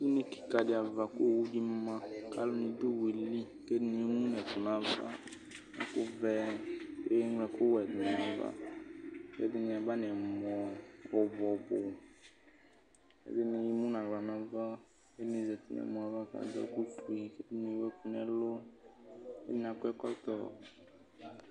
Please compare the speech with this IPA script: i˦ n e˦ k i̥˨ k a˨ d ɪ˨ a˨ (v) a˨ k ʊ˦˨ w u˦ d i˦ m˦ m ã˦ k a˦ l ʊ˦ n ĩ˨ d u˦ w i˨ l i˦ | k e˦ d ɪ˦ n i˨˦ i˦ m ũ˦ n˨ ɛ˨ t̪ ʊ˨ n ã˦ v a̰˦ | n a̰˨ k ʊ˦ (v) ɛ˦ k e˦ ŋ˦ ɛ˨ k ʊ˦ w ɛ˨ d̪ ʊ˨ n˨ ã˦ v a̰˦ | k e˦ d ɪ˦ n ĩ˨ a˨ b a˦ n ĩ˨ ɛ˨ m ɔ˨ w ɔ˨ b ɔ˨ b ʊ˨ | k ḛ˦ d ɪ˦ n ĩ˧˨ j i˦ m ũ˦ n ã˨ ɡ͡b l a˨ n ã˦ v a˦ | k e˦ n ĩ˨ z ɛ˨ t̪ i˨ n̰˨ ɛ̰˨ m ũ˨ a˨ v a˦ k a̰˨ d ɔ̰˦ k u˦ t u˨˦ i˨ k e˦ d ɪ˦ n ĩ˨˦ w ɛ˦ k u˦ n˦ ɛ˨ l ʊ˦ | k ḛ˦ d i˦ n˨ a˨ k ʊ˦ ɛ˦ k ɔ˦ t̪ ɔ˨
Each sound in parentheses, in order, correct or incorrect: correct, correct

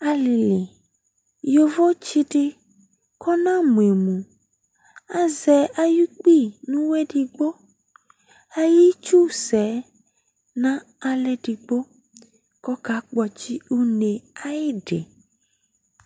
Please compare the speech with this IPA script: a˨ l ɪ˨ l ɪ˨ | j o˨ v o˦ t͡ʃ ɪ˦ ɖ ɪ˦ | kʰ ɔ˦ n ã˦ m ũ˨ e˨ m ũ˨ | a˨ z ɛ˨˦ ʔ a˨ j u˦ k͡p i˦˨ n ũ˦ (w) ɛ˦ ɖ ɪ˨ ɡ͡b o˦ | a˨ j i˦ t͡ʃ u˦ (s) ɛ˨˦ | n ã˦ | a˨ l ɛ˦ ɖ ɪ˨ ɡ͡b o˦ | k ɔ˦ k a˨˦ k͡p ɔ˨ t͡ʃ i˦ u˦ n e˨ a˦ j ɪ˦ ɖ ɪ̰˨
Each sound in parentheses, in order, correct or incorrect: correct, correct

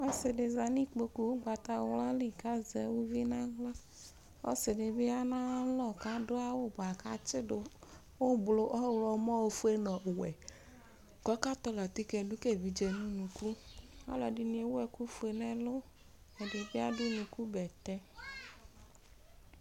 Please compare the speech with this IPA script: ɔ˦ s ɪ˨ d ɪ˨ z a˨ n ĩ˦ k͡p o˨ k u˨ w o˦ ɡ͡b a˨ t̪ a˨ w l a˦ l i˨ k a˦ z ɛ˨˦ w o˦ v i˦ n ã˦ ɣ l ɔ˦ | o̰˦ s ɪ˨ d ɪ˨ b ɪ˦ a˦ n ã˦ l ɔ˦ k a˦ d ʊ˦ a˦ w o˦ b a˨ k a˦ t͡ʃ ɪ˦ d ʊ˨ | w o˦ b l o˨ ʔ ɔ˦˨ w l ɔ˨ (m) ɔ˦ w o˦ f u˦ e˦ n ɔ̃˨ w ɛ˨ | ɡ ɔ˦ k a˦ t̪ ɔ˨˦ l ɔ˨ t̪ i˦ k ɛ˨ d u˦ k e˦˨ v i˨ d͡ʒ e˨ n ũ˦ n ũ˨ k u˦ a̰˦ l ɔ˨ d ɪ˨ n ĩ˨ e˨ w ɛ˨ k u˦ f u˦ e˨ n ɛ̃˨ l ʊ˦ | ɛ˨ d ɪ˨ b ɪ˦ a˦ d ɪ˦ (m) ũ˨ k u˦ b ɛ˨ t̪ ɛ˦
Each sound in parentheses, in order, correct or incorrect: correct, incorrect: n

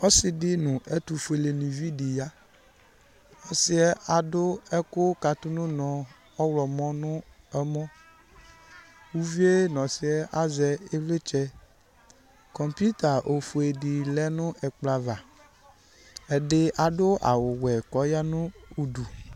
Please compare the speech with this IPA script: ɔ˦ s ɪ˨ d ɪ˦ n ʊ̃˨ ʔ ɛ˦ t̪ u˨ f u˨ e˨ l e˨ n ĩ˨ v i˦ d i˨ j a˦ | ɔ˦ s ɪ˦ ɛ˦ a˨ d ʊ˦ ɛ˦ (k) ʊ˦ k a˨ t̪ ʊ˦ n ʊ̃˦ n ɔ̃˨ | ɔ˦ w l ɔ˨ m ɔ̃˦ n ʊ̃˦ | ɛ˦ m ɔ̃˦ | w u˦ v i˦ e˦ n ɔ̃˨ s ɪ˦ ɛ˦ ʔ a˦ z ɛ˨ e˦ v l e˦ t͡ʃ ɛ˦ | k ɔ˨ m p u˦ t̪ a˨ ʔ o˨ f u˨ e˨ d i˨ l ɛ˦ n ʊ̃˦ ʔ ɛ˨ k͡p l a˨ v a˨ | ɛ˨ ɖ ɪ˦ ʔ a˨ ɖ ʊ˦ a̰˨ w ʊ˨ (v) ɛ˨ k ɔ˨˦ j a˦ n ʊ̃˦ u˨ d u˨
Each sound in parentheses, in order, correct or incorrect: correct, incorrect: w

